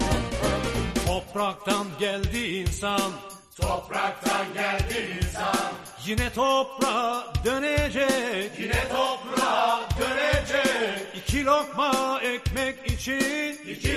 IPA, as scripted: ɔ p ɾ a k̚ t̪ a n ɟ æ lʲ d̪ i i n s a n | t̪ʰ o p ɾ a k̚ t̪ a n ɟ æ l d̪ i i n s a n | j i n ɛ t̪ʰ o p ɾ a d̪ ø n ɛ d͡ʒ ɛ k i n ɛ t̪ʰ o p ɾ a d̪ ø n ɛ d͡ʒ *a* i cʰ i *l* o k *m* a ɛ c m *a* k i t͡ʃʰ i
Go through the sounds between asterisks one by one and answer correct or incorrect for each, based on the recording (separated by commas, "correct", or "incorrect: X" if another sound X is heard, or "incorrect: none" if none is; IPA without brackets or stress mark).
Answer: incorrect: ɛ, correct, correct, incorrect: ɛ